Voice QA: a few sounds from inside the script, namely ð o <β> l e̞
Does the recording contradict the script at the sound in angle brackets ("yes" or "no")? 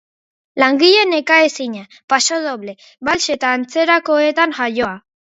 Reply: no